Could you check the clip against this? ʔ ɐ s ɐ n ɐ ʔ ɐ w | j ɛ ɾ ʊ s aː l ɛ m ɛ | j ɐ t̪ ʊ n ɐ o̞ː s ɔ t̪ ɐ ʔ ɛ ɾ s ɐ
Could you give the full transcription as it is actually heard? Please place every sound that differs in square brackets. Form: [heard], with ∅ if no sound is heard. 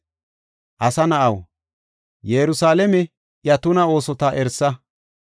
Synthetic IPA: ʔ ɐ s ɐ n ɐ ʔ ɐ w | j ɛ ɾ ʊ s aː l ɛ m ɛ | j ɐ t̪ ʊ n ɐ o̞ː s ɔ t̪ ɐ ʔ ɛ ɾ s ɐ

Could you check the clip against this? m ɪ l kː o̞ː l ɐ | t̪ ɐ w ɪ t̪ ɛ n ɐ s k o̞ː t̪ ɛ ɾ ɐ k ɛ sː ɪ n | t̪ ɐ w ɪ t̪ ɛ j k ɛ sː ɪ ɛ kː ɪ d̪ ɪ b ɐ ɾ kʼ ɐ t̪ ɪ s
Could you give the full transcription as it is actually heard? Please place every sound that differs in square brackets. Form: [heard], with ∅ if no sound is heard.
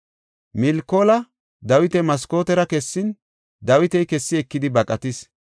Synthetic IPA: m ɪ l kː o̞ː l ɐ | [d̪] ɐ w ɪ t̪ ɛ [m] ɐ s k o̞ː t̪ ɛ ɾ ɐ k ɛ sː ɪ n | [d̪] ɐ w ɪ t̪ ɛ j k ɛ sː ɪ ɛ kː ɪ d̪ ɪ b ɐ [∅] kʼ ɐ t̪ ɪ s

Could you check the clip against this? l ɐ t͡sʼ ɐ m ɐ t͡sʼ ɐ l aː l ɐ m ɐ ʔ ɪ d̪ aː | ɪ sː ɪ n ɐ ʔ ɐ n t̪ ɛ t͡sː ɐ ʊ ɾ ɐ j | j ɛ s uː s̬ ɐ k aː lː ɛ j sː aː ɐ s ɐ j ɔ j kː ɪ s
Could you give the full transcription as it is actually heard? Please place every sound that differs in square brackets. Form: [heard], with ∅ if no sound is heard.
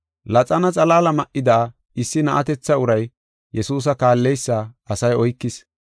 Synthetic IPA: l ɐ t͡sʼ ɐ [n] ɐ t͡sʼ ɐ l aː l ɐ m ɐ ʔ ɪ d̪ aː | ɪ sː ɪ n ɐ ʔ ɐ [∅] t̪ ɛ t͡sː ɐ ʊ ɾ ɐ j | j ɛ s uː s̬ ɐ k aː lː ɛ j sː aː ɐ s ɐ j ɔ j kː ɪ s

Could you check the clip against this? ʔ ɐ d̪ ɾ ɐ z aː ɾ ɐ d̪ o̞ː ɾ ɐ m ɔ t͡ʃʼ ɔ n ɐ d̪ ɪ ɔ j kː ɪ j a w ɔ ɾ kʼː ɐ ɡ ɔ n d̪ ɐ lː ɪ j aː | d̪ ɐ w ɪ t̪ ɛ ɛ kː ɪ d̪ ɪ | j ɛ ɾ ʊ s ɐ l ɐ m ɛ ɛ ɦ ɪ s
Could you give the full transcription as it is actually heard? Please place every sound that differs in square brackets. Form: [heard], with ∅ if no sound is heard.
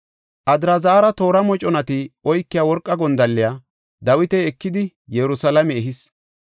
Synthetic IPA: ʔ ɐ d̪ ɾ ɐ z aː ɾ ɐ [t̪] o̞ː ɾ ɐ m ɔ t͡ʃʼ ɔ n ɐ [t̪] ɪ ɔ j kː ɪ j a w ɔ ɾ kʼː ɐ ɡ ɔ n d̪ ɐ lː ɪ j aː | d̪ ɐ w ɪ t̪ ɛ ɛ kː ɪ d̪ ɪ | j ɛ ɾ ʊ s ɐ l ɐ m ɛ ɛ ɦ ɪ s

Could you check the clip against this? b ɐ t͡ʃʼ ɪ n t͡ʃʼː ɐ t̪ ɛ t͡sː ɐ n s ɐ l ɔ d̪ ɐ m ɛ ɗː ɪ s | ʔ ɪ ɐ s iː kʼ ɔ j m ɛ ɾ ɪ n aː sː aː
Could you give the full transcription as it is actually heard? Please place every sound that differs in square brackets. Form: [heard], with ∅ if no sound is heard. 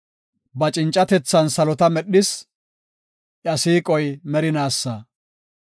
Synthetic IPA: b ɐ t͡ʃʼ ɪ n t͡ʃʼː ɐ t̪ ɛ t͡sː ɐ n s ɐ l ɔ [t̪] ɐ m ɛ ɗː ɪ s | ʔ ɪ ɐ s iː kʼ ɔ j m ɛ ɾ ɪ n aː sː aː

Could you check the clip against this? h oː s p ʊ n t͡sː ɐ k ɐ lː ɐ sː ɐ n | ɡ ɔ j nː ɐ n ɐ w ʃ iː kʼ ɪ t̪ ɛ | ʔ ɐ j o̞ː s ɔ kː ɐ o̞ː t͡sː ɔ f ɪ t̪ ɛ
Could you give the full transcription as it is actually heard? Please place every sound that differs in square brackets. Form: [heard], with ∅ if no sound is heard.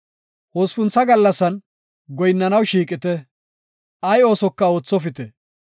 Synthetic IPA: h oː s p ʊ n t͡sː ɐ [ɡ] ɐ lː ɐ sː ɐ n | ɡ ɔ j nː ɐ n ɐ w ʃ iː kʼ ɪ t̪ ɛ | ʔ ɐ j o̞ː s ɔ kː ɐ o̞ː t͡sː ɔ f ɪ t̪ ɛ

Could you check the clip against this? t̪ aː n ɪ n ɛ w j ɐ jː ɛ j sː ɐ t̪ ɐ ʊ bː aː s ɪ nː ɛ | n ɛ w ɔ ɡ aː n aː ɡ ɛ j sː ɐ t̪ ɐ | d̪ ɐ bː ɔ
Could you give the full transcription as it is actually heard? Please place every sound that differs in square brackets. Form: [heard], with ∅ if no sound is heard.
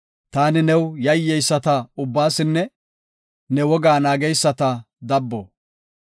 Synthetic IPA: t̪ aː n ɪ n ɛ w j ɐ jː ɛ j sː ɐ t̪ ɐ ʊ bː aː s ɪ nː ɛ | n ɛ w ɔ ɡ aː n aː ɡ ɛ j sː ɐ t̪ ɐ | d̪ ɐ bː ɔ

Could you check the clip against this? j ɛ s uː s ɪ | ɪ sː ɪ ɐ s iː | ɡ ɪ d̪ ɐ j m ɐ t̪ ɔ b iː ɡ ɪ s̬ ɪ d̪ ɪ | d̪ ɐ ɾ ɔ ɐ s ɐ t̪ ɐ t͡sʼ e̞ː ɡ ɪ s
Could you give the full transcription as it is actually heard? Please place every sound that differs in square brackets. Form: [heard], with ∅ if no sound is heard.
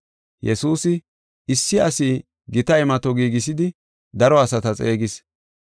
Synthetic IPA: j ɛ s uː s ɪ | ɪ sː ɪ ɐ s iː | ɡ ɪ [t̪] ɐ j m ɐ t̪ ɔ [ɡ] iː ɡ ɪ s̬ ɪ d̪ ɪ | d̪ ɐ ɾ ɔ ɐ s ɐ t̪ ɐ t͡sʼ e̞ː ɡ ɪ s

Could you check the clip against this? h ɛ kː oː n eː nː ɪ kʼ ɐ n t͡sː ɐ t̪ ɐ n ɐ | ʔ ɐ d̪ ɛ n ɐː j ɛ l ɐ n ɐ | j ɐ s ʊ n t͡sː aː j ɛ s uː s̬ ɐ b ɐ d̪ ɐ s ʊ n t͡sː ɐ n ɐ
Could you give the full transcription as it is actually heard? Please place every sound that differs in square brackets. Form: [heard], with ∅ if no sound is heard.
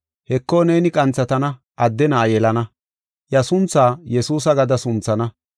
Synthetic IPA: h ɛ kː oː n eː [n] ɪ kʼ ɐ n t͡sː ɐ t̪ ɐ n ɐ | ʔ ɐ [d̪ː] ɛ n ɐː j ɛ l ɐ n ɐ | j ɐ s ʊ n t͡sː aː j ɛ s uː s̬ ɐ [ɡ] ɐ d̪ ɐ s ʊ n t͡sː ɐ n ɐ

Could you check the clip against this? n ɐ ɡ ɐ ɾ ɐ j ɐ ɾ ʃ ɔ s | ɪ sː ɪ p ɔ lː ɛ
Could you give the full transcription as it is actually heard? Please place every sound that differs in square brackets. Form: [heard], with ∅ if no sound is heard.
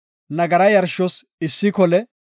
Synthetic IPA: n ɐ ɡ ɐ ɾ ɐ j ɐ ɾ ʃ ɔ s | ɪ sː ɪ [k] ɔ [l] ɛ

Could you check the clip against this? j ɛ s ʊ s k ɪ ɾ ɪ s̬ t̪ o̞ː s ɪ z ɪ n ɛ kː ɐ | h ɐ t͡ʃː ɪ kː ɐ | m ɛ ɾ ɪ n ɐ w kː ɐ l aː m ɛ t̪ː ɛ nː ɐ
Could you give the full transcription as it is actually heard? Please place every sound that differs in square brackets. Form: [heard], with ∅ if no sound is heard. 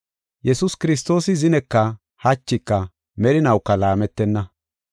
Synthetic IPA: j ɛ s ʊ s k ɪ ɾ ɪ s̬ t̪ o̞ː s ɪ z ɪ n ɛ kː ɐ | h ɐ t͡ʃː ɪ kː ɐ | m ɛ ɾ ɪ n ɐ w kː ɐ l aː m ɛ t̪ː ɛ nː ɐ

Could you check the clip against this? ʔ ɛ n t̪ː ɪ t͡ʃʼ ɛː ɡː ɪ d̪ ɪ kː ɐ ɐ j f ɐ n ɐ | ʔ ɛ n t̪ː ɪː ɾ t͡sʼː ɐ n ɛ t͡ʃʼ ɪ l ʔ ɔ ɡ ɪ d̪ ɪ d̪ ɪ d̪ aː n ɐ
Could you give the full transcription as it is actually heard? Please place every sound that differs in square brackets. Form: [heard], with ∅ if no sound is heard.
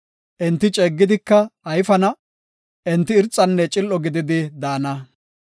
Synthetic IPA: ʔ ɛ n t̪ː ɪ t͡ʃʼ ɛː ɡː ɪ d̪ ɪ kː ɐ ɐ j f ɐ n ɐ | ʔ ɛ n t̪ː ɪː ɾ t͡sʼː ɐ [nː] ɛ t͡ʃʼ ɪ l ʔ ɔ ɡ ɪ d̪ ɪ d̪ ɪ d̪ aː n ɐ

